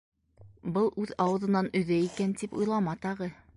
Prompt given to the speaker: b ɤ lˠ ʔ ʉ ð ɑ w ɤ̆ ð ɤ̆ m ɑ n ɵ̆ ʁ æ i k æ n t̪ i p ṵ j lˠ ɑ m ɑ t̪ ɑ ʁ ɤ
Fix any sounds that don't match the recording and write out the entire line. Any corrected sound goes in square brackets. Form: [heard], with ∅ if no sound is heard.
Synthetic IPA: b ɤ lˠ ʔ ʉ ð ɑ w ɤ̆ ð ɤ̆ [n] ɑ n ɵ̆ [ð] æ i k æ n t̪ i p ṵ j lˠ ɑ m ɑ t̪ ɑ ʁ ɤ